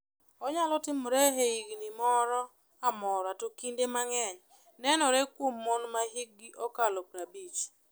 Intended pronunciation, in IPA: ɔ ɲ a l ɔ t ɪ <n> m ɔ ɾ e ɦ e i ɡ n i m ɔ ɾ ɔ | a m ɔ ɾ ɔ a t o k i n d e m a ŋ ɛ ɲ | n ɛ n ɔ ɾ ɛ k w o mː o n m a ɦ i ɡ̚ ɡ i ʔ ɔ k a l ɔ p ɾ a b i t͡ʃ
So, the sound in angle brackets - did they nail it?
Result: no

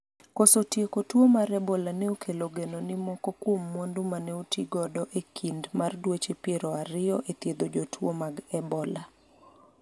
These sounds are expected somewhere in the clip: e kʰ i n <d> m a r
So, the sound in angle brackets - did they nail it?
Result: yes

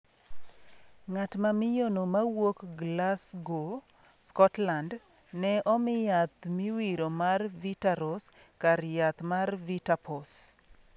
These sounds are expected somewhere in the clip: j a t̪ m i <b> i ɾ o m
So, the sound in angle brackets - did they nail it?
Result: no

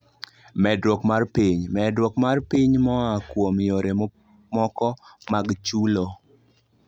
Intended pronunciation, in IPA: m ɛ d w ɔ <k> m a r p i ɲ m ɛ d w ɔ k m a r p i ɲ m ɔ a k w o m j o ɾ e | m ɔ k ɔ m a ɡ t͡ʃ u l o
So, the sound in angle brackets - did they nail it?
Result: yes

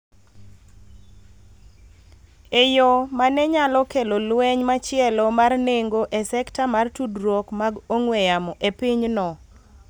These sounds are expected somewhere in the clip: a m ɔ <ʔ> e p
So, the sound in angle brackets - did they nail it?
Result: yes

